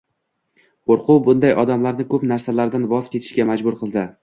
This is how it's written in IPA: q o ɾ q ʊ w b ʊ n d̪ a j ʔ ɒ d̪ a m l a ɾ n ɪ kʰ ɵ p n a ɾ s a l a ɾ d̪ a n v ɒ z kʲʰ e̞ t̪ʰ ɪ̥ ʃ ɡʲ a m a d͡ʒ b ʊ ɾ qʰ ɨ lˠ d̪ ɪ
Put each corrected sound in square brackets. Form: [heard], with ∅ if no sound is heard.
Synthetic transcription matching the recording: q o ɾ q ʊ w b ʊ n d̪ a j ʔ ɒ d̪ a m l a ɾ n ɪ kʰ ɵ p n a ɾ s a l a ɾ d̪ a n v ɒ z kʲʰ e̞ t̪ʰ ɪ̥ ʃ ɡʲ a m a d͡ʒ b ʊ ɾ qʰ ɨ lˠ d̪ ɪ

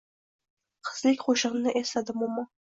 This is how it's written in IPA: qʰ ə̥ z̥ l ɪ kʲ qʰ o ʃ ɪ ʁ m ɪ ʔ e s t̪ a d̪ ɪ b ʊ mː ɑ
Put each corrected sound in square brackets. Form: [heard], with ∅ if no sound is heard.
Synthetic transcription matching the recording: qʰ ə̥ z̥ l ɪ kʲ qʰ o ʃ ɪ ʁ [n] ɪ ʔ e s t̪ a d̪ ɪ [m] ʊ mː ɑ

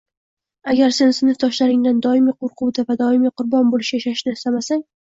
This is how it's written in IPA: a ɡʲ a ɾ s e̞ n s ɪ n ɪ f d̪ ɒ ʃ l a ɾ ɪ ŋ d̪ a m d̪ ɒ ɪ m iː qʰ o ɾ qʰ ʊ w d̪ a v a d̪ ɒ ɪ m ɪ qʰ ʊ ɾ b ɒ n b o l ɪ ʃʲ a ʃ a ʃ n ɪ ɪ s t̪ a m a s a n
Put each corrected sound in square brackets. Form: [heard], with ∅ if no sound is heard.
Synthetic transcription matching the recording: a ɡʲ a ɾ s e̞ n s ɪ n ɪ f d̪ ɒ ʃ l a ɾ ɪ ŋ d̪ a [n] d̪ ɒ ɪ m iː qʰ o ɾ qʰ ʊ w d̪ a v a d̪ ɒ ɪ m [i] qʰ ʊ ɾ b ɒ n b o l ɪ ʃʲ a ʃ a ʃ n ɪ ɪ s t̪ a m a s a [ŋ]

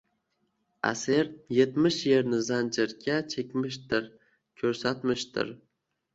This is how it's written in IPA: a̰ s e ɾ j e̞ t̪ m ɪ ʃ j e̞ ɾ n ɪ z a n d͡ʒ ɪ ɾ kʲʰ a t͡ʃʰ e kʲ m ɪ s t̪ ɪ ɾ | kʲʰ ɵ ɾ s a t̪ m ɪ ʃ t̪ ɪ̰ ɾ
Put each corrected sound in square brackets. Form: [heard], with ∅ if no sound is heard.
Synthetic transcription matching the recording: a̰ s e ɾ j e̞ t̪ m ɪ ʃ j e̞ ɾ n ɪ z a n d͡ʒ ɪ ɾ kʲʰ a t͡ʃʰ e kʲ m ɪ [ʃ] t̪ ɪ ɾ | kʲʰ ɵ ɾ s a t̪ m ɪ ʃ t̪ ɪ̰ ɾ

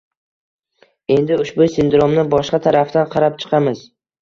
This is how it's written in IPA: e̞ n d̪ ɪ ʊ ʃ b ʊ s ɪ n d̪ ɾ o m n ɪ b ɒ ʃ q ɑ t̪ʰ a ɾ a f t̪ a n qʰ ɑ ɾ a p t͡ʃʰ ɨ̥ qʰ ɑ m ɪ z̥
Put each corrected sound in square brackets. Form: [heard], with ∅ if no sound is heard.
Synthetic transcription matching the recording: e̞ n d̪ ɪ ʊ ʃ b ʊ s ɪ n d̪ ɾ o m n ɪ b ɒ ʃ q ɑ t̪ʰ a ɾ a f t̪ a n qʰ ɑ ɾ a p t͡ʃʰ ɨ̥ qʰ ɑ m ɪ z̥

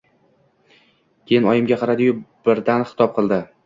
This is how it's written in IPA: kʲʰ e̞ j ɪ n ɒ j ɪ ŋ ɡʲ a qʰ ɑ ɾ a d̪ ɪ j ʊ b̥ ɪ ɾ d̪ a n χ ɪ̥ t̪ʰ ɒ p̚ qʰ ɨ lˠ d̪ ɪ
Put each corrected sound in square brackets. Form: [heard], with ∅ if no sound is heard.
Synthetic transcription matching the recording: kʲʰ e̞ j ɪ n ɒ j ɪ [m] ɡʲ a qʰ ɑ ɾ a d̪ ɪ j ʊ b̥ ɪ ɾ d̪ a n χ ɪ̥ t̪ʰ ɒ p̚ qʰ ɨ lˠ d̪ ɪ

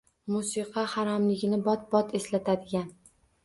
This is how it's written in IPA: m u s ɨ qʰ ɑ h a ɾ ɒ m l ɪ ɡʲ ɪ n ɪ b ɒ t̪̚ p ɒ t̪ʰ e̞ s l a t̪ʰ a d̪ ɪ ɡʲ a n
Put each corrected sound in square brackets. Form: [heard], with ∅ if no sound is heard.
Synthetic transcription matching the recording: m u s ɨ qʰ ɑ h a ɾ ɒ m l ɪ ɡʲ ɪ n ɪ b ɒ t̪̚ [b] ɒ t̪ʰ e̞ s l a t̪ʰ a d̪ ɪ ɡʲ a n

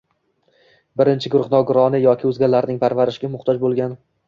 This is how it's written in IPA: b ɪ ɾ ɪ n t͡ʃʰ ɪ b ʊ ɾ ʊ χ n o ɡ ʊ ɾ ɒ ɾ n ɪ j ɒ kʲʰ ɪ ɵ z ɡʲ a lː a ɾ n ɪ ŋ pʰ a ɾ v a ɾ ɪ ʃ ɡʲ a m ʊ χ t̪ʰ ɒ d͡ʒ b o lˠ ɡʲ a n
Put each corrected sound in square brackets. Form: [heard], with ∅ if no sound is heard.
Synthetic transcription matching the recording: b ɪ ɾ ɪ n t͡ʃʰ ɪ [ɡ] ʊ ɾ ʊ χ n [ɒ] ɡ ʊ ɾ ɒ [∅] n ɪ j ɒ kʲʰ ɪ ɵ z ɡʲ a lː a ɾ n ɪ ŋ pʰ a ɾ v a ɾ ɪ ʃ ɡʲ a m ʊ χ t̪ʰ ɒ d͡ʒ b o lˠ ɡʲ a n

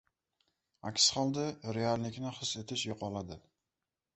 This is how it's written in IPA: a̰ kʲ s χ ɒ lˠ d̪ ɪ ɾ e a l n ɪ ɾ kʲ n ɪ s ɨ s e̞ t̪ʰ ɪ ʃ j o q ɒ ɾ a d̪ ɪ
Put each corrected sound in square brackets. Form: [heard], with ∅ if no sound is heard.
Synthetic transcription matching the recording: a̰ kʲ s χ ɒ lˠ d̪ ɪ ɾ e a l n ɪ [∅] kʲ n ɪ [χ] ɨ s e̞ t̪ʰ ɪ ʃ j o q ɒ [l] a d̪ ɪ

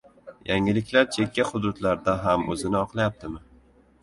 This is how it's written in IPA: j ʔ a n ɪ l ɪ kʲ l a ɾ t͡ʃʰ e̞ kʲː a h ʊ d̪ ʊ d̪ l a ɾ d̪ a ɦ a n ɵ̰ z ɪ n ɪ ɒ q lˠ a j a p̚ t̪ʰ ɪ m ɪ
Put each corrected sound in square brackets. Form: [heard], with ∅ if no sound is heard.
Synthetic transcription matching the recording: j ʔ a [ŋ] ɪ l ɪ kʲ l a ɾ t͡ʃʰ e̞ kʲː a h ʊ d̪ ʊ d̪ l a ɾ d̪ a ɦ a [m] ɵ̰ z ɪ n ɪ ɒ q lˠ a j a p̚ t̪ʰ ɪ m ɪ

